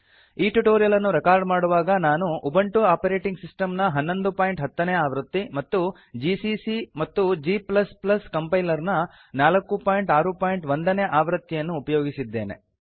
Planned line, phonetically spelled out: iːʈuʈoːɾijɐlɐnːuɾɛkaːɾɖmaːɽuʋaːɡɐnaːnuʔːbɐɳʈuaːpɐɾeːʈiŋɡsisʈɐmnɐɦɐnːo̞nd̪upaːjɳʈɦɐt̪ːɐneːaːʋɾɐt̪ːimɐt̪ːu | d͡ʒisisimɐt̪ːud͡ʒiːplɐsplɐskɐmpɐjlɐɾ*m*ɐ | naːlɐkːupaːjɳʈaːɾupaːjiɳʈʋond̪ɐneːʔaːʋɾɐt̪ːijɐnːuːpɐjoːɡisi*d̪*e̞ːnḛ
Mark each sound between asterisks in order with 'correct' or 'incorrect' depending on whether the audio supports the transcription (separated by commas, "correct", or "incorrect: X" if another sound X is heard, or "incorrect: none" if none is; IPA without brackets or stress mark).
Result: incorrect: n, incorrect: d̪ː